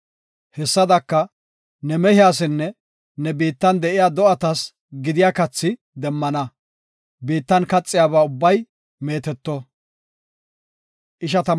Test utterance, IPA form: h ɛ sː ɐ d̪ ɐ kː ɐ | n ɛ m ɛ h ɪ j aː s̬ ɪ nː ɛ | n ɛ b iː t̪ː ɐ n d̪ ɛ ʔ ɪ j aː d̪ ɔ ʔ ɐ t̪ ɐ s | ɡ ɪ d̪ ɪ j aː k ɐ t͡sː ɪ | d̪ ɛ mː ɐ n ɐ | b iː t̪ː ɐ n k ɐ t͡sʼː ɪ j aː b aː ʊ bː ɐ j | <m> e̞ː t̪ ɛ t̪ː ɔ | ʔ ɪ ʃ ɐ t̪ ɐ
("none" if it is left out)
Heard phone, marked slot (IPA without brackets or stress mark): m